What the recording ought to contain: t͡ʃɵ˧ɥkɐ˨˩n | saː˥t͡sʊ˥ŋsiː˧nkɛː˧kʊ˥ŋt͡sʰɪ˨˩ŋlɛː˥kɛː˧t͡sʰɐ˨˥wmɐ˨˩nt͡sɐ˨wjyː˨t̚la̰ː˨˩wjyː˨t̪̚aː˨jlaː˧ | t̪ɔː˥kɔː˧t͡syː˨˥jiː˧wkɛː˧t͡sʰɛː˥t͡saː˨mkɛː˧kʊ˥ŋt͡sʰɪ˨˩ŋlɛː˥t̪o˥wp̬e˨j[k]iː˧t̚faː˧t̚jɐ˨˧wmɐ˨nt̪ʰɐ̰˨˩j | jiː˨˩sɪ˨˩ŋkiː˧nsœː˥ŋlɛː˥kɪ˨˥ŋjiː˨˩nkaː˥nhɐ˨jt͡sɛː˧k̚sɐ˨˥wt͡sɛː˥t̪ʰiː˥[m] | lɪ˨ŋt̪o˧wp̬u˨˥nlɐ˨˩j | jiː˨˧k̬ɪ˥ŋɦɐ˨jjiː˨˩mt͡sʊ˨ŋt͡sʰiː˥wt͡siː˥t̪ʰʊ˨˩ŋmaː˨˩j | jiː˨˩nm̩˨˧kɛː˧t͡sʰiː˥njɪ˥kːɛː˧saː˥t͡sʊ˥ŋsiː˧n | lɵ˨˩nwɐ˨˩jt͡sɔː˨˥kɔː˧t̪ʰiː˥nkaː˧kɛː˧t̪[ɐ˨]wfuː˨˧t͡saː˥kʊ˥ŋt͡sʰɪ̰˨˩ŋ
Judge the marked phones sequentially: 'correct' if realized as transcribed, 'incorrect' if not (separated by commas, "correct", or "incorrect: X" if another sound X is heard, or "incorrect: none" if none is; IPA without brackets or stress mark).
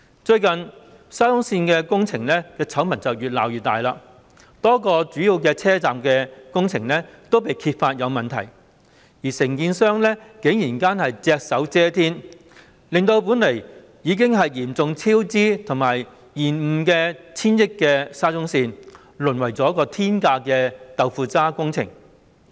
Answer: incorrect: kʰ, incorrect: n, correct